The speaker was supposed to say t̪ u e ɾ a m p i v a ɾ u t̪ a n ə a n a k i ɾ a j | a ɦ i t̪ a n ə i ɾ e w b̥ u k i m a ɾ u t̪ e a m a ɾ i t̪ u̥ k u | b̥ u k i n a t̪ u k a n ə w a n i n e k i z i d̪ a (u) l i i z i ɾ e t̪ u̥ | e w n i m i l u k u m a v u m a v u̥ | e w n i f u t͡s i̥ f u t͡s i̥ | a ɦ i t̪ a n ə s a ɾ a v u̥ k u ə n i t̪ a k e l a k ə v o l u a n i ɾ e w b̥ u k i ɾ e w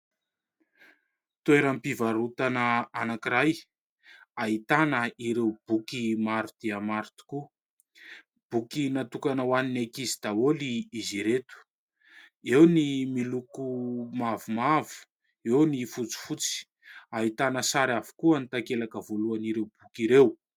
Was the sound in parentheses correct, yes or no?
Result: no